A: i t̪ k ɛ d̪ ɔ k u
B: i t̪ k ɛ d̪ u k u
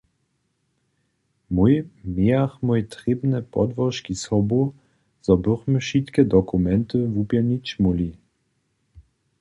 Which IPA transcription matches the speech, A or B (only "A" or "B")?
A